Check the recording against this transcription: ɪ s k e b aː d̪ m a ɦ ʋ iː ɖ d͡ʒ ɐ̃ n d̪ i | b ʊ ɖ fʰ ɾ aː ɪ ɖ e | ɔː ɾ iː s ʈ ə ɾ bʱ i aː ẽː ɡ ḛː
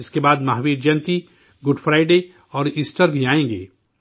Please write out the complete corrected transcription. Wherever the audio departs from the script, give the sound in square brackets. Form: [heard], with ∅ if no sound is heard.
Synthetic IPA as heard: ɪ s k e b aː d̪ m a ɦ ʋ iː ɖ d͡ʒ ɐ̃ n [t̪] i | [ɡ] ʊ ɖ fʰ ɾ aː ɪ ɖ e | ɔː ɾ iː s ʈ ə ɾ bʱ i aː ẽː ɡ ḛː

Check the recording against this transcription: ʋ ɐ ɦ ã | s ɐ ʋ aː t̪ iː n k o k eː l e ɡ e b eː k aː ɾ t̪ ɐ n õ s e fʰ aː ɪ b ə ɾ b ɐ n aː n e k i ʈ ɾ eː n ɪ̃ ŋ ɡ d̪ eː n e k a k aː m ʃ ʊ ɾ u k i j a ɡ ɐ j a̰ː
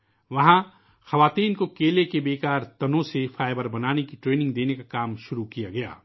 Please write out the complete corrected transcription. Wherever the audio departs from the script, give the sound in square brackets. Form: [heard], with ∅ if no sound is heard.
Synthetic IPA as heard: ʋ ɐ ɦ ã | [x] ɐ ʋ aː t̪ iː n k o k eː l e [k] e b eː k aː ɾ t̪ ɐ n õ s e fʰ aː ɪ b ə ɾ b ɐ n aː n e k i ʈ ɾ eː n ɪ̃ ŋ ɡ d̪ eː n e k a k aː m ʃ ʊ ɾ u k i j a ɡ ɐ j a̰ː

